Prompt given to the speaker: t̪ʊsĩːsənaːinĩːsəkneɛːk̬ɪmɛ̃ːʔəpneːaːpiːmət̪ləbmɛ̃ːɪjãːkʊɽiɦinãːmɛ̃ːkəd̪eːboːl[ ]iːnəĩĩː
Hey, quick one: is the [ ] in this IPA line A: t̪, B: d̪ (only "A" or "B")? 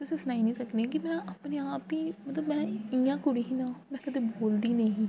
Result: B